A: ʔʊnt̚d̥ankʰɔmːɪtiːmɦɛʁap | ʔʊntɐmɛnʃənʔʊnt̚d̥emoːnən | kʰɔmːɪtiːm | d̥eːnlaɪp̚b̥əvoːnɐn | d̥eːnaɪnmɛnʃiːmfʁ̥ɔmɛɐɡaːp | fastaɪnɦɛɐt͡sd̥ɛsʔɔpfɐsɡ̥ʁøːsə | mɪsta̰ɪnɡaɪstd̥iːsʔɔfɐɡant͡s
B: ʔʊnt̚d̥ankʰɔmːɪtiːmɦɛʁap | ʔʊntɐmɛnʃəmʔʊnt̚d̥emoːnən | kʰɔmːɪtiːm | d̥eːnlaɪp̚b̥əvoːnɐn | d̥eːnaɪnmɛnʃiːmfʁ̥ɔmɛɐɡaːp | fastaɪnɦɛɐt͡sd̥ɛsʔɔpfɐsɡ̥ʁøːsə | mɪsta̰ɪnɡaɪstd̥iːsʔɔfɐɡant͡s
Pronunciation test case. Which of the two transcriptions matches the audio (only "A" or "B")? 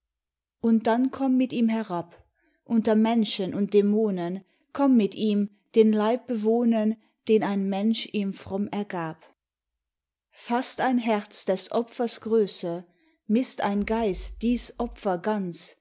A